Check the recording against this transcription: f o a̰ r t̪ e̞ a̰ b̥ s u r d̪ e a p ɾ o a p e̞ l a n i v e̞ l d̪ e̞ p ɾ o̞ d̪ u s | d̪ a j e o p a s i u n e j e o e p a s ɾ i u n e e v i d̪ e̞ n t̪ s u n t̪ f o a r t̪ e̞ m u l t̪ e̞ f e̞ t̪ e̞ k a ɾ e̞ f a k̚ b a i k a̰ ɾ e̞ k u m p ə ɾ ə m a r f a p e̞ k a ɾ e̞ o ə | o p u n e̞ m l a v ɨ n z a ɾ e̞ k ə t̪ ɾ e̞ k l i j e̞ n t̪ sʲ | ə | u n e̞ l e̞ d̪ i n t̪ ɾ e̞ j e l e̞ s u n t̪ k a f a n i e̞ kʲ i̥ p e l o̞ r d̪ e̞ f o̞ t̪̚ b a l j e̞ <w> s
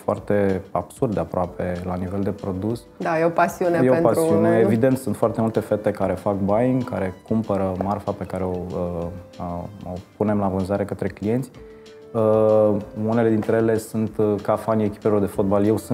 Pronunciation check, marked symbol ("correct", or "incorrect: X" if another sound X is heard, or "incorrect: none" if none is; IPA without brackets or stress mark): correct